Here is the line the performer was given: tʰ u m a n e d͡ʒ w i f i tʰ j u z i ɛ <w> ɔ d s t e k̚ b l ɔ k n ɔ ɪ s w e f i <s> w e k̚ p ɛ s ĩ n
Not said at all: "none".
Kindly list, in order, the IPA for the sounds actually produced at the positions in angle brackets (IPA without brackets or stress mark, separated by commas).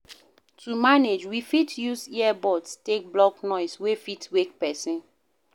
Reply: b, t